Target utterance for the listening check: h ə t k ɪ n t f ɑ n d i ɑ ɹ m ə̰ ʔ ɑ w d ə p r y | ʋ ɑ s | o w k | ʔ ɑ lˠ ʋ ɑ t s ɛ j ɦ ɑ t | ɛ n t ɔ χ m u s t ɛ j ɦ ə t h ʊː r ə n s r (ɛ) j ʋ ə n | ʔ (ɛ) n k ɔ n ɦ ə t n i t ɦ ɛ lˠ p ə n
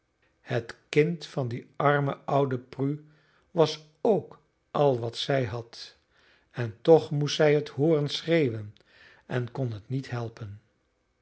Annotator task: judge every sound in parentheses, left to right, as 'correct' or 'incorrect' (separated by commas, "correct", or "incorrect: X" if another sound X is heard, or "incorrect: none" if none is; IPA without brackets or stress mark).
incorrect: e, correct